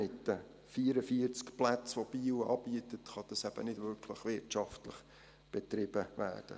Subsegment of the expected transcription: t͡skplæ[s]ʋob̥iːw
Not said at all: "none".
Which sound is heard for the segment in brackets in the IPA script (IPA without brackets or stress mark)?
t͡s